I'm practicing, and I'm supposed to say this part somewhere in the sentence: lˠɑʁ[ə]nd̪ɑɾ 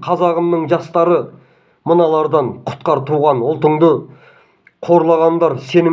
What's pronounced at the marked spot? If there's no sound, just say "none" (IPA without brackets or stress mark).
ɑ